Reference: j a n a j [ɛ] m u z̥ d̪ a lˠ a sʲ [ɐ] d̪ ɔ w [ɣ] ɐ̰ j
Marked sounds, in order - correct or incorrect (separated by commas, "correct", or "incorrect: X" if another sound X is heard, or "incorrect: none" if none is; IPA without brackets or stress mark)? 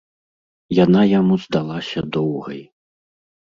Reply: incorrect: a, correct, correct